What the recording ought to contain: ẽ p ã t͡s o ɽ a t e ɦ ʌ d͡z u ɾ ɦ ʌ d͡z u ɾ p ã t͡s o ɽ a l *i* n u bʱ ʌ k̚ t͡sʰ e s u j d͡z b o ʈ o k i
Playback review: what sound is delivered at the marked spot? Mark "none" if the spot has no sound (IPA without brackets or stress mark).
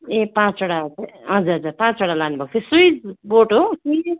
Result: a